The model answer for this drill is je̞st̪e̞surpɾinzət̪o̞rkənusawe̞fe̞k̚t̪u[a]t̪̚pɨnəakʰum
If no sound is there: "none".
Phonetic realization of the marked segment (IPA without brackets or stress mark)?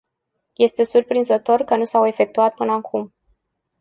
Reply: a